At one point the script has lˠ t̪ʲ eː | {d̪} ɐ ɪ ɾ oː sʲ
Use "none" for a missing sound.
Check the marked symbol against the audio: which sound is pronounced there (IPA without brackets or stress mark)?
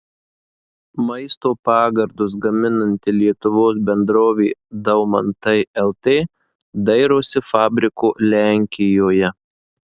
d̪